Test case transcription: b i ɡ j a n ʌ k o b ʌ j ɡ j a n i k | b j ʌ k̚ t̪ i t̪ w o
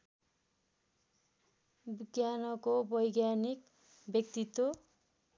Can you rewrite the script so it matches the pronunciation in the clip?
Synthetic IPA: b i ɡ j a n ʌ k o b ʌ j ɡ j a n i k | b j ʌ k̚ t̪ i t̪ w o